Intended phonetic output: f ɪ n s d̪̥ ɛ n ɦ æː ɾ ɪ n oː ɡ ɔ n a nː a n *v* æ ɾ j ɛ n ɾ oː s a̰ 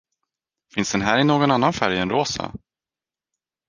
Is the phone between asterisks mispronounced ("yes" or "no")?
yes